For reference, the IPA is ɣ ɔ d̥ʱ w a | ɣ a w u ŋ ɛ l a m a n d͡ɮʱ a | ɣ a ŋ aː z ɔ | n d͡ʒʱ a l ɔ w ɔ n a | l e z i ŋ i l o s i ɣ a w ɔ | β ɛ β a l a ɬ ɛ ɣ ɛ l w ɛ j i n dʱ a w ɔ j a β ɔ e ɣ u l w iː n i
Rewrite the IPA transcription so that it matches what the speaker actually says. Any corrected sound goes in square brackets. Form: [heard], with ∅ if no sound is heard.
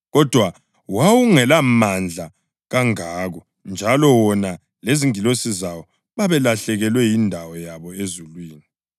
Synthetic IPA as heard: ɣ ɔ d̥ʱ w a | [w] a w u ŋ ɛ l a m a n d͡ɮʱ a | ɣ a ŋ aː [ɣ] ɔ | n d͡ʒʱ a l ɔ w ɔ n a | l e z i ŋ i l o s i [z] a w ɔ | β [a] β [ɛ] l a ɬ ɛ ɣ ɛ l w ɛ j i n dʱ a w ɔ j a β ɔ e [z] u l w iː n i